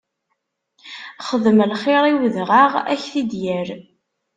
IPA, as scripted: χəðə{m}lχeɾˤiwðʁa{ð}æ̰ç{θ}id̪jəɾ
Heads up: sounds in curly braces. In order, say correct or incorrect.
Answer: correct, incorrect, correct

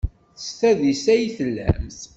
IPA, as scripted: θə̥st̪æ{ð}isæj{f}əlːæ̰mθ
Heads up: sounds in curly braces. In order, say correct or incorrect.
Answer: correct, incorrect

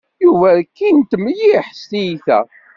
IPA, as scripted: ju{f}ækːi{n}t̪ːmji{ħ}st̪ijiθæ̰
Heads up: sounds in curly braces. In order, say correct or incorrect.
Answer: incorrect, correct, correct

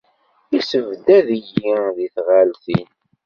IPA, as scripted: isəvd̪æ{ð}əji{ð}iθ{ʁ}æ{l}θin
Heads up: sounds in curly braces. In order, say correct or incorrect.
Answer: correct, correct, correct, correct

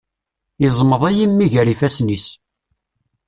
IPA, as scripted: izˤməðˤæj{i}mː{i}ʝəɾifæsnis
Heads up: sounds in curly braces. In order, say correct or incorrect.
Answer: correct, correct

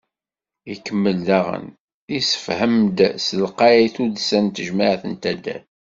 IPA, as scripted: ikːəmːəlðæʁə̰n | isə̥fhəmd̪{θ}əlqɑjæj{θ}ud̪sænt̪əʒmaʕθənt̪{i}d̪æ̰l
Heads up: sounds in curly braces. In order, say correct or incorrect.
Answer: incorrect, correct, incorrect

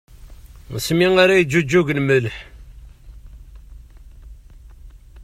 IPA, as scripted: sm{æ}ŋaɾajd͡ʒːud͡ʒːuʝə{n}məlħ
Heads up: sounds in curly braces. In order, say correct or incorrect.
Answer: incorrect, correct

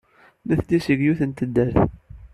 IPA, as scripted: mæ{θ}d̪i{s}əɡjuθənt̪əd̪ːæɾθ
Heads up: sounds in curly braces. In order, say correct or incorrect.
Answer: correct, correct

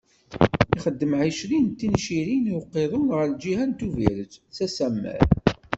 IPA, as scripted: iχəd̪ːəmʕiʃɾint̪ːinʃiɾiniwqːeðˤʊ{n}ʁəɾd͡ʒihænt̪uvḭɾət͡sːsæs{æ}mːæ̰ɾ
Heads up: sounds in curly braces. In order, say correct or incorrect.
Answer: correct, correct

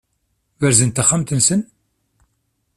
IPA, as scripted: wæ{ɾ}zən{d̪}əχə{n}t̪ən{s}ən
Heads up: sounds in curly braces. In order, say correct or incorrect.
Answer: correct, incorrect, incorrect, correct

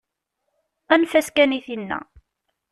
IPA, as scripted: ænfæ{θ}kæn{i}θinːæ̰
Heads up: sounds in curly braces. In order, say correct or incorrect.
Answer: incorrect, correct

